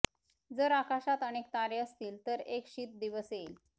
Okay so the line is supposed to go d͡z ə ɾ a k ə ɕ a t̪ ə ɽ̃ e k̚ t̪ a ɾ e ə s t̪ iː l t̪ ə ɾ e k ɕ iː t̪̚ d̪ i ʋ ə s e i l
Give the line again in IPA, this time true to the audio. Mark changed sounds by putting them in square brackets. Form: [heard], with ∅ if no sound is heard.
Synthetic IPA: d͡z ə ɾ a k [a] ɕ a t̪ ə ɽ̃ e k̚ t̪ a ɾ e ə s t̪ iː l t̪ ə ɾ e k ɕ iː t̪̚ d̪ i ʋ ə s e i l